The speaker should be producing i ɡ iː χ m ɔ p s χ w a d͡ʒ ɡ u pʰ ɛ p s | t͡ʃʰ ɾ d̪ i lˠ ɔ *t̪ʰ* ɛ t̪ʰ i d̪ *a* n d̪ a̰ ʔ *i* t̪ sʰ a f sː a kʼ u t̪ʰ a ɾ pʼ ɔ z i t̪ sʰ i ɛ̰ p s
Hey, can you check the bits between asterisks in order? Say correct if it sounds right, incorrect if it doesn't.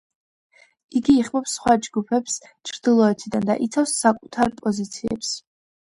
incorrect, correct, correct

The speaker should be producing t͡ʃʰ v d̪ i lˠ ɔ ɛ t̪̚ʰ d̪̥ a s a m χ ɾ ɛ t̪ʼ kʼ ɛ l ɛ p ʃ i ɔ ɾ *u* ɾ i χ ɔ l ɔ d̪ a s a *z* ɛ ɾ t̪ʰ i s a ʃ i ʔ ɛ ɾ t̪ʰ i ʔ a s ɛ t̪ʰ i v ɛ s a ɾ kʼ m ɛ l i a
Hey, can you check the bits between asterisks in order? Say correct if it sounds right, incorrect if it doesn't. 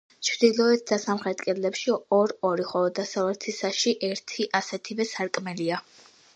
incorrect, incorrect

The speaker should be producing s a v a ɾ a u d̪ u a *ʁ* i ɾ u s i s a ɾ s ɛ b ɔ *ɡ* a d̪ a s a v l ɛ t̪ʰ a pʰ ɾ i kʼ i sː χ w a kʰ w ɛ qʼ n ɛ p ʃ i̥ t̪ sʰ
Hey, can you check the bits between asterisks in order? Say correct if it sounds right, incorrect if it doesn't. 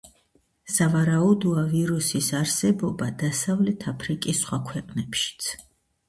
incorrect, incorrect

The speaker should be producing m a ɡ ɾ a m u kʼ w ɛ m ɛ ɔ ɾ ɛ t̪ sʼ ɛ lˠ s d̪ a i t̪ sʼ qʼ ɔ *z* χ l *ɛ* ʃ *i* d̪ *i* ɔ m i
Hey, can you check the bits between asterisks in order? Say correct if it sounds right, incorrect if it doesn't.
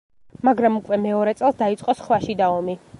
incorrect, incorrect, correct, incorrect

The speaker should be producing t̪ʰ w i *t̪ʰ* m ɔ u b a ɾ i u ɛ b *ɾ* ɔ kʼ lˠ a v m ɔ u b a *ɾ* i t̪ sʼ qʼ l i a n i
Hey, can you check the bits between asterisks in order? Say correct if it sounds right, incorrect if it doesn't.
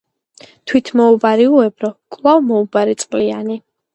correct, correct, correct

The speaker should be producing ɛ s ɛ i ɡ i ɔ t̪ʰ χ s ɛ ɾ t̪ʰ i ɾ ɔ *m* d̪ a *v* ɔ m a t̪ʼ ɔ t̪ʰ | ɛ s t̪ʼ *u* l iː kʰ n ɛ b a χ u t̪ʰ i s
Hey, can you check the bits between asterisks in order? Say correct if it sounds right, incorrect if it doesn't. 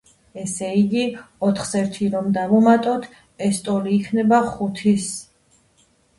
correct, correct, incorrect

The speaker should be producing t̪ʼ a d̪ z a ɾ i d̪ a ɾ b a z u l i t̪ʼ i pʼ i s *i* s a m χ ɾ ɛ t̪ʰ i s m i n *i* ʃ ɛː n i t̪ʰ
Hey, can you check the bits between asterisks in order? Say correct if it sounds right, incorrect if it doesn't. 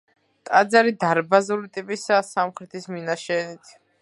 incorrect, incorrect

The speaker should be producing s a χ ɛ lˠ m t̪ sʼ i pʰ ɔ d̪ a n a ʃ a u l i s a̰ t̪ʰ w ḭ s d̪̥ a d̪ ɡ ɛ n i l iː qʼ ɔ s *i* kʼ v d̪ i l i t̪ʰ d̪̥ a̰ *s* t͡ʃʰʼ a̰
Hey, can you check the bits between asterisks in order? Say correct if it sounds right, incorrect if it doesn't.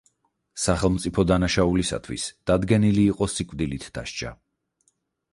correct, incorrect

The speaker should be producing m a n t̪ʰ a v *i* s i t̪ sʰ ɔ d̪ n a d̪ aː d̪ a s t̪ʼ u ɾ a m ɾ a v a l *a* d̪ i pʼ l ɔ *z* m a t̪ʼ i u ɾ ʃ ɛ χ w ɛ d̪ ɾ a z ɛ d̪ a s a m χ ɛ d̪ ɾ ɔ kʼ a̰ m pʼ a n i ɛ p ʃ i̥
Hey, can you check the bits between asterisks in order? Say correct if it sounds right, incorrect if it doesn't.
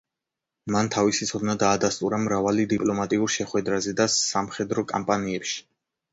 correct, incorrect, incorrect

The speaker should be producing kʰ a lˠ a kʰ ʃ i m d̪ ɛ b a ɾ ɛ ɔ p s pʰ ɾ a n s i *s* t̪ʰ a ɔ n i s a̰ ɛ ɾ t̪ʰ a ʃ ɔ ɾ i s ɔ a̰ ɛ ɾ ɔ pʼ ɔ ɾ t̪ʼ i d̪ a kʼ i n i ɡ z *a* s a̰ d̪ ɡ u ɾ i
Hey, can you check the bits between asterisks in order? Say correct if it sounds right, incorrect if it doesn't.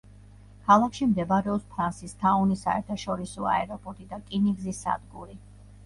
correct, incorrect

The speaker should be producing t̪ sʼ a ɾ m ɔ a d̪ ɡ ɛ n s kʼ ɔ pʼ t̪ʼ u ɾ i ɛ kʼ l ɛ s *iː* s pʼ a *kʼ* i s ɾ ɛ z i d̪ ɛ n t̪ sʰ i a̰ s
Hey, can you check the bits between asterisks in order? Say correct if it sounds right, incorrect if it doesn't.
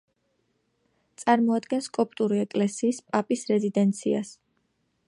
correct, incorrect

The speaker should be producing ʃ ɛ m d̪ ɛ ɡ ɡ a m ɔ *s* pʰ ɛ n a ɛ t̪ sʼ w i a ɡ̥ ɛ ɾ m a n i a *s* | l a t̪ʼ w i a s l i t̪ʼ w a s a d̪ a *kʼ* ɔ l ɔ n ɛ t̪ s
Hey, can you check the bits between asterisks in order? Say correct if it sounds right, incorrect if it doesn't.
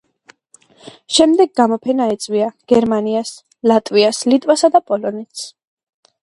incorrect, correct, incorrect

